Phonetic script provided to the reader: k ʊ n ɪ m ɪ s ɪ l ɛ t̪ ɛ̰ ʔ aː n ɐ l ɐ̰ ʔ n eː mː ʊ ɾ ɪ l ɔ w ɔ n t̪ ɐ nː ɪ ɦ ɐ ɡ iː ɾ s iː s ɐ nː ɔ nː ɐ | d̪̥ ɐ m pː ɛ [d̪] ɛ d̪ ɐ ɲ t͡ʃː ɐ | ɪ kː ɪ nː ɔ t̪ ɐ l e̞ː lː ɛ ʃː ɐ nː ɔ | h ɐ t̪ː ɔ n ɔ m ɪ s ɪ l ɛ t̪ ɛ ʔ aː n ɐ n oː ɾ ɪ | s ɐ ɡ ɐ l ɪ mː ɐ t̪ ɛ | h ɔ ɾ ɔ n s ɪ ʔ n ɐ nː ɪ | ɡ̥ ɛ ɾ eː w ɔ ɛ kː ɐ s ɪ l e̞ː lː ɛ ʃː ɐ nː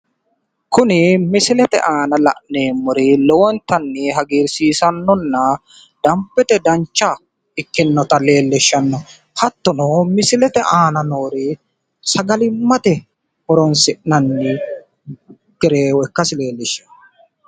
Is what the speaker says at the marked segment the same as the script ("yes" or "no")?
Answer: no